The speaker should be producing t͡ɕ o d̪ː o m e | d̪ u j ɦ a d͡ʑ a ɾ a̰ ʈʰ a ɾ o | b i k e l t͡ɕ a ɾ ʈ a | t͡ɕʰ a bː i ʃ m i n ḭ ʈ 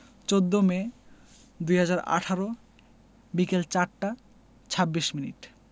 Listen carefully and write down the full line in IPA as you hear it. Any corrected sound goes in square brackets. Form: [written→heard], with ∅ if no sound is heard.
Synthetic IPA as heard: t͡ɕ o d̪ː o m e | d̪ u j ɦ a d͡ʑ a ɾ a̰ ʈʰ a ɾ o | b i k e l t͡ɕ a ɾ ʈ a | t͡ɕʰ a bː i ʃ m i n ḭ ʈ